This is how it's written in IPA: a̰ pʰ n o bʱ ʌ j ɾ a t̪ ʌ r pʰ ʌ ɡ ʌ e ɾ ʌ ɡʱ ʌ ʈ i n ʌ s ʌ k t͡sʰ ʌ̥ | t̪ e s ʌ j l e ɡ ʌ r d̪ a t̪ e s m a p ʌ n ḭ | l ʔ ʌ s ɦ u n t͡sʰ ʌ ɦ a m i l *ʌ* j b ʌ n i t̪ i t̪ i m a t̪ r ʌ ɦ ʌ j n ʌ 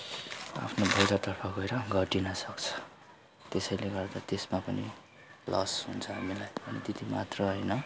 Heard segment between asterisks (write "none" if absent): a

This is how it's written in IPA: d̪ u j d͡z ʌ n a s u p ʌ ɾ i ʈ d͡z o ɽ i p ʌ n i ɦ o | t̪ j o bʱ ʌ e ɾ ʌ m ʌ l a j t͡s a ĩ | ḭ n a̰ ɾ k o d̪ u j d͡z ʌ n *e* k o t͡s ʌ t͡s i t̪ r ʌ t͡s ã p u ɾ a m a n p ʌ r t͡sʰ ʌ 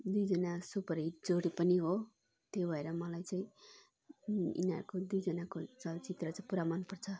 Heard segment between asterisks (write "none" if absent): a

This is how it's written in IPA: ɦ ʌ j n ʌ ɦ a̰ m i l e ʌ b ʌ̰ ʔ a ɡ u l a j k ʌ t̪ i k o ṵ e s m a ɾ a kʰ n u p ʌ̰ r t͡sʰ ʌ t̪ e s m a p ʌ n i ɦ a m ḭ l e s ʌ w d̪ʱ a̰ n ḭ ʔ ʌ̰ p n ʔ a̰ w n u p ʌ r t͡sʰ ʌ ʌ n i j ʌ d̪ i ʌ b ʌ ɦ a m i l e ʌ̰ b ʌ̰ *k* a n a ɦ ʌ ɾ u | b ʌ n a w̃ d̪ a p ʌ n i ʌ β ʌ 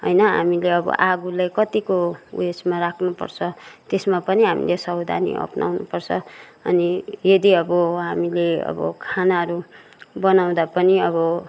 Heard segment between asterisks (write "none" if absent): kʰ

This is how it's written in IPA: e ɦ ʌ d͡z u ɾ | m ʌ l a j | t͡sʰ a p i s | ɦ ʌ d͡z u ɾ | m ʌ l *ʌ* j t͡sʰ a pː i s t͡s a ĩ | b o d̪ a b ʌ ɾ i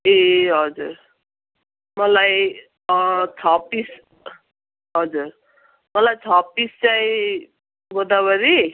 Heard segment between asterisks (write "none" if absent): a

